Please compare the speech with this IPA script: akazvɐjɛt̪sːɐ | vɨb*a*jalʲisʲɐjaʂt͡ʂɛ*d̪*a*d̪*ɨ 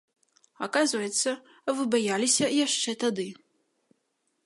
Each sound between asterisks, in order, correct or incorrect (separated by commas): correct, incorrect, correct